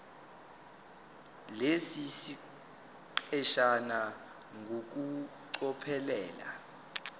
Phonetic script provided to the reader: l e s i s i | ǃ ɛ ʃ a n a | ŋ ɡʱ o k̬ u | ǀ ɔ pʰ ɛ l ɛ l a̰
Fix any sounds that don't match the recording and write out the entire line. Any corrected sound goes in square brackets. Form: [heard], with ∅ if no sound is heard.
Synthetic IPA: l e s i s i | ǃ ɛ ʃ a n a | ŋ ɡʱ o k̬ u | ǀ ɔ pʰ ɛ l [ɛː] l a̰